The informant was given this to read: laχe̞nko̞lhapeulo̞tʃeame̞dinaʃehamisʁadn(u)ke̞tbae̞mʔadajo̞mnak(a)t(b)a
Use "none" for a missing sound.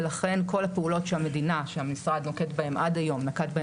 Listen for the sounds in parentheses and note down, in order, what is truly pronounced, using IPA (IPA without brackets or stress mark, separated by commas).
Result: o, a, b